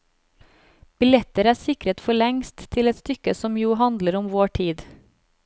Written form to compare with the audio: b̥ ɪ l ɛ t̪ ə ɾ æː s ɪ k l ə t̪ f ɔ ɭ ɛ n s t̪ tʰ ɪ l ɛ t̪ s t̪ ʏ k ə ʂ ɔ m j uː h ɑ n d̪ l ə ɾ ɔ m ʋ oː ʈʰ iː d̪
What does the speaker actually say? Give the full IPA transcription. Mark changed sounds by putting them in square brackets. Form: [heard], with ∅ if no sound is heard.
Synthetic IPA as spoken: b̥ ɪ l ɛ t̪ ə ɾ æː s ɪ k [ɾ] ə t̪ f ɔ ɭ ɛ [ŋ] s t̪ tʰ ɪ l ɛ t̪ s t̪ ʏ k ə [s] ɔ m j uː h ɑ n d̪ l ə ɾ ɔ m ʋ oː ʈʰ iː d̪